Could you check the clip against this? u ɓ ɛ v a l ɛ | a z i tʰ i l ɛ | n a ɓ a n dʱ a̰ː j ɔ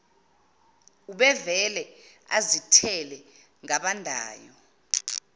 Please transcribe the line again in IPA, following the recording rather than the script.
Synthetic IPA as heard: u ɓ ɛ v ɛ l ɛ | a z i tʰ ɛ l ɛ | ŋ a ɓ a n dʱ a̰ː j ɔ